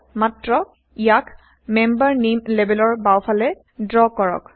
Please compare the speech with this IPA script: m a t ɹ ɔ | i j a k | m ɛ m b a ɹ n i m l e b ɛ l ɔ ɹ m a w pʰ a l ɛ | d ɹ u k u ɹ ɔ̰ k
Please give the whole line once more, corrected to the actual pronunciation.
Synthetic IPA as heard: m a t ɹ ɔ | i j a k | m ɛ m b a ɹ n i m l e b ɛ l ɔ ɹ b a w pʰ a l ɛ | d ɹ ɔ k ɔ ɹ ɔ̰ k

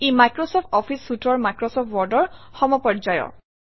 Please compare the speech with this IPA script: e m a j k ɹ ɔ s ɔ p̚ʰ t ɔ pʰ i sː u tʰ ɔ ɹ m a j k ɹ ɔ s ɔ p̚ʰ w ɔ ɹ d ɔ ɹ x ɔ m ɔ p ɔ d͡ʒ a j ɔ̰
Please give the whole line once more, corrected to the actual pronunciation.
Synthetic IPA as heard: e m a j k ɹ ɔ s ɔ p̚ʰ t ɔ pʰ i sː u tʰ ɔ ɹ m a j k ɹ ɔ s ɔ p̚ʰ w ɔ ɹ d ɔ ɹ x ɔ m ɔ p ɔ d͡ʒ a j ɔ̰

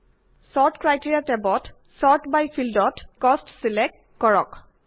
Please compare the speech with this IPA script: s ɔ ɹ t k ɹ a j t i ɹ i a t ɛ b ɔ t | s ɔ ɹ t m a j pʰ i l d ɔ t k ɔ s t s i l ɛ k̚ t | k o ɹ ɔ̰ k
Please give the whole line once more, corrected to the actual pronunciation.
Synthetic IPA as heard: s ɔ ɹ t k ɹ a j t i ɹ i a t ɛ b ɔ t | s ɔ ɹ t b a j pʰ i l d ɔ t k ɔ s t s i l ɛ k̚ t | k ɔ ɹ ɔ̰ k

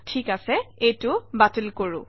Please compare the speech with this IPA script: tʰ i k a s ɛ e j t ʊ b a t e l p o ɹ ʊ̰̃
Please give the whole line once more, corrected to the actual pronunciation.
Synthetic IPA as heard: tʰ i k a s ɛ e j t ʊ b a t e l k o ɹ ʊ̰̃

